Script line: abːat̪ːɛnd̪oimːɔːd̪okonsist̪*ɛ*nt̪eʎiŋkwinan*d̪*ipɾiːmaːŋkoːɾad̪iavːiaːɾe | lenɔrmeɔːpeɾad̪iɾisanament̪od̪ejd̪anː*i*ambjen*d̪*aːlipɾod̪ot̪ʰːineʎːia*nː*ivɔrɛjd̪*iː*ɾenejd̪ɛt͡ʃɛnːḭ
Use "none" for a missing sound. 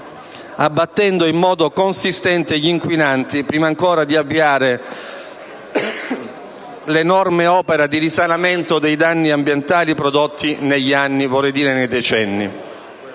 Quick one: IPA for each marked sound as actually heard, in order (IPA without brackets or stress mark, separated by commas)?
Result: ɛ, t̪, i, t̪, nː, iː